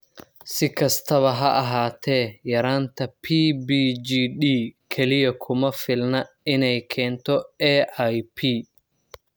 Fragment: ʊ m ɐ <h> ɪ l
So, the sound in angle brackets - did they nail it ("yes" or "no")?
no